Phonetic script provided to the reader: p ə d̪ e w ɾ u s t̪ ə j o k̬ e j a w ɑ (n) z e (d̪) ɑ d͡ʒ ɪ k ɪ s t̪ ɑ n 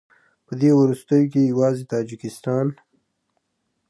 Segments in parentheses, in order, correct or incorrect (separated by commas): incorrect, incorrect